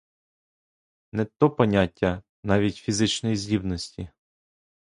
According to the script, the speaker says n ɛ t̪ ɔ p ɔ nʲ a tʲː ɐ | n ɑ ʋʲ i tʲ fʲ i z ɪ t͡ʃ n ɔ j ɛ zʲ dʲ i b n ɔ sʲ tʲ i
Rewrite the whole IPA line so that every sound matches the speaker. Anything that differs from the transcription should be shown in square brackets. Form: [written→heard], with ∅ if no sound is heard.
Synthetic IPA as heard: n ɛ t̪ ɔ p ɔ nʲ a tʲː ɐ | n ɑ ʋʲ i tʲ fʲ i z ɪ t͡ʃ n ɔ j [ɛ→i] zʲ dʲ i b n ɔ sʲ tʲ i